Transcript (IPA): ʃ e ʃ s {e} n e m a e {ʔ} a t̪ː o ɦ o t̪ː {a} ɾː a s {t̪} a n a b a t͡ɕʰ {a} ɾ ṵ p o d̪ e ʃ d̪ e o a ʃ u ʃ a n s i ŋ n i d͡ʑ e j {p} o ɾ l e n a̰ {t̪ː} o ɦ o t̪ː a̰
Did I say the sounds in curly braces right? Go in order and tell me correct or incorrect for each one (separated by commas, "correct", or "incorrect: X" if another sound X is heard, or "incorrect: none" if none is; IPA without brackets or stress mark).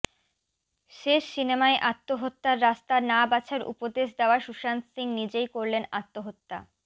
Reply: incorrect: i, correct, correct, correct, correct, incorrect: k, correct